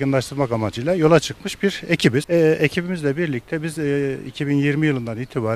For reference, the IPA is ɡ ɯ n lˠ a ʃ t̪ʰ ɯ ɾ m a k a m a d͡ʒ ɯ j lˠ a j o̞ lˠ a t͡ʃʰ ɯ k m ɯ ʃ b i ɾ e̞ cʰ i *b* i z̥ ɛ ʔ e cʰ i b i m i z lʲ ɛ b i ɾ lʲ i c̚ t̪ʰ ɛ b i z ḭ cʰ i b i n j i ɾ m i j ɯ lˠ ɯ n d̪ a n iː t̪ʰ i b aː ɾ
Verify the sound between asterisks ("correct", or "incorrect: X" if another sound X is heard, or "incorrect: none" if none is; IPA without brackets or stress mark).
correct